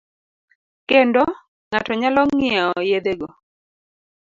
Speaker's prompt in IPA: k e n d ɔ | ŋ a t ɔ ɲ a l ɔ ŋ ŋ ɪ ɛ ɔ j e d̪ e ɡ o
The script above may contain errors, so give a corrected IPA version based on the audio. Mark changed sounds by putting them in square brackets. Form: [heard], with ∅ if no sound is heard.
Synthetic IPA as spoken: k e n d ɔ | ŋ a t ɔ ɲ a l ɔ ŋ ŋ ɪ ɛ ɔ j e d̪ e ɡ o